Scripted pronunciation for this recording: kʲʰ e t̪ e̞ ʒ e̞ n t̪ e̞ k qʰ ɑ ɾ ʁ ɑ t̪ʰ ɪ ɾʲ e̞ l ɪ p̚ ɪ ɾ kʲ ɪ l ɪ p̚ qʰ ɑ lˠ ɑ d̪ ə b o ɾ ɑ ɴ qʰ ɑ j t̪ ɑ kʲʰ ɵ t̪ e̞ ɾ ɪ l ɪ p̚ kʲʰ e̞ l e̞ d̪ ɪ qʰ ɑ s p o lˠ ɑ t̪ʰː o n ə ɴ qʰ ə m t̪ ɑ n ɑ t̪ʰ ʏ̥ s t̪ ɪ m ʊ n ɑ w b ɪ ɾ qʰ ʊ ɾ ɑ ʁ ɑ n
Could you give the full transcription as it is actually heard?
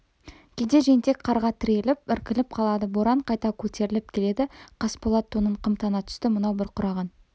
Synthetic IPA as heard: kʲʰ e d̪ e̞ ʒ e̞ n t̪ e̞ k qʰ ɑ ɾ ʁ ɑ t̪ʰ ɪ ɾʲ e̞ l ɪ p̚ ɪ ɾ kʲ ɪ l ɪ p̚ qʰ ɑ lˠ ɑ d̪ ə b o ɾ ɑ ɴ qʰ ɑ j t̪ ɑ kʲʰ ɵ t̪ e̞ ɾ ɪ l ɪ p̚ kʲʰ e̞ l e̞ d̪ ɪ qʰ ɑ s p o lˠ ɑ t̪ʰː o n ə ɴ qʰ ə m t̪ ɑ n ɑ t̪ʰ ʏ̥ s t̪ ɪ m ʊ n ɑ w b ɪ ɾ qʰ ʊ ɾ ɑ ʁ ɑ n